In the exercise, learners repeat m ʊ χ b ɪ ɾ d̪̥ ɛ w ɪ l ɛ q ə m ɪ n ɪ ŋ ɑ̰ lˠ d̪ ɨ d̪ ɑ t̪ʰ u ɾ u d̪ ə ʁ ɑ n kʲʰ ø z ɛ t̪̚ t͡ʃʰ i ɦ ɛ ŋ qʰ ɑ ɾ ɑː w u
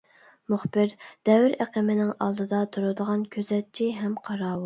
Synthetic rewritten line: m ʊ χ b ɪ ɾ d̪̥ ɛ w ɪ ɾ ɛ q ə m ɪ n ɪ ŋ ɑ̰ lˠ d̪ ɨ d̪ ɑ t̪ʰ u ɾ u d̪ ə ʁ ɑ n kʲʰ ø z ɛ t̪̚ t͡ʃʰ i ɦ ɛ m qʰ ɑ ɾ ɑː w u

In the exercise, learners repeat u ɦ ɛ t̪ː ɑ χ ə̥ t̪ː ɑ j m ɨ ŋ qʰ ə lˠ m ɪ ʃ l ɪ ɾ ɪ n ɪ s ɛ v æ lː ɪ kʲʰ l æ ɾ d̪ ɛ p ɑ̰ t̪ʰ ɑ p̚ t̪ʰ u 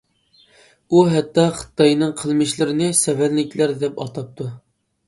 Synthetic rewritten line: u ɦ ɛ t̪ː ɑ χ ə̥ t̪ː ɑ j n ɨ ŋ qʰ ə lˠ m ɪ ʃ l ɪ ɾ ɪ n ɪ s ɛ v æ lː ɪ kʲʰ l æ ɾ d̪ ɛ p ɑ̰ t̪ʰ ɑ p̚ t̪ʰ u

